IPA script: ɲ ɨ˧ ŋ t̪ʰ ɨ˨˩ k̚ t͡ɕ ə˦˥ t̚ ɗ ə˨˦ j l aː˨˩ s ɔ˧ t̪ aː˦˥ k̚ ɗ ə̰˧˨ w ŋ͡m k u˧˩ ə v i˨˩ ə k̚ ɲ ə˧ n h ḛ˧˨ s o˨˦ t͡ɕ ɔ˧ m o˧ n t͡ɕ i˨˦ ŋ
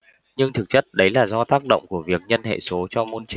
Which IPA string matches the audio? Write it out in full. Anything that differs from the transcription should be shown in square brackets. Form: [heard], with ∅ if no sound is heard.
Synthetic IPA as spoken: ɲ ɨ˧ ŋ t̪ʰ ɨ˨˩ k̚ t͡ɕ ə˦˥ t̚ ɗ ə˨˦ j l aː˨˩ [z] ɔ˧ t̪ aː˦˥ k̚ ɗ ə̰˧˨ w ŋ͡m k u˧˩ ə v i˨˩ ə k̚ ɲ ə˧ n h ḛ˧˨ s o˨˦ t͡ɕ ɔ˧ m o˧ n t͡ɕ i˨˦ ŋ